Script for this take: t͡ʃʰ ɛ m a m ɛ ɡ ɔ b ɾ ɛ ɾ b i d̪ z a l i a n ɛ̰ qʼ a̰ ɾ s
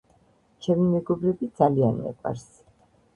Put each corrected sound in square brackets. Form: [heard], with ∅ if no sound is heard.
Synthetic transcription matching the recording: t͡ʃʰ ɛ m [i] m ɛ ɡ ɔ b ɾ ɛ [∅] b i d̪ z a l i a n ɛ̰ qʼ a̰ ɾ s